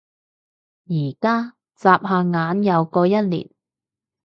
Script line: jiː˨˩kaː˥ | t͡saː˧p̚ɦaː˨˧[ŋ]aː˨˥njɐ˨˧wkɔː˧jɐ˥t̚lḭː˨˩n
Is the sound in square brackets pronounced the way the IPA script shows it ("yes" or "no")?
yes